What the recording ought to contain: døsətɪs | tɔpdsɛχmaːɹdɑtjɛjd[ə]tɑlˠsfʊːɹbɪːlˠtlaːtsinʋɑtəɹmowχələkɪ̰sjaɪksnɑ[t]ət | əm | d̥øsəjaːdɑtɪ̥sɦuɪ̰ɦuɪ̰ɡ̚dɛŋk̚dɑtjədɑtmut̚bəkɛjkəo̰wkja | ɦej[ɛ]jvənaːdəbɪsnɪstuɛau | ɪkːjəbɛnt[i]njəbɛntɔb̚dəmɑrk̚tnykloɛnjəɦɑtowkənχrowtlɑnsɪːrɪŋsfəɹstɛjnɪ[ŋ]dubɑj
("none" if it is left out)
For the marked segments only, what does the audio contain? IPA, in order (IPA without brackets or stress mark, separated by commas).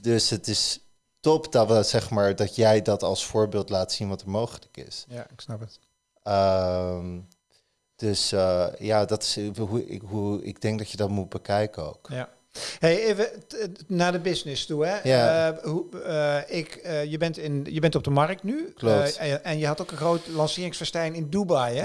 ɑ, p, e, ɪ, n